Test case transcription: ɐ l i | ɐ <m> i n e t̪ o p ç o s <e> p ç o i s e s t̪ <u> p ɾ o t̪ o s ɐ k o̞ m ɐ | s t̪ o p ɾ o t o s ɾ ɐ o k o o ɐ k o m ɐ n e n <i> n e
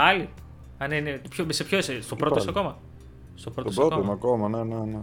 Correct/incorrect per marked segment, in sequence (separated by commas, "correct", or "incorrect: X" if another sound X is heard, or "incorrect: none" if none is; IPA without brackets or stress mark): incorrect: n, correct, incorrect: o, incorrect: e